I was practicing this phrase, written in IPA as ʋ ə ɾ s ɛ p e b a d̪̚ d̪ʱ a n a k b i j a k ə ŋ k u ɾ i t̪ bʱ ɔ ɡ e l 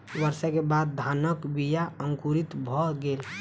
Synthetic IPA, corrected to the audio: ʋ ə ɾ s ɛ k e b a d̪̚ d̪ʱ a n ə k b i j a ə ŋ k u ɾ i t̪ bʱ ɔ ɡ e l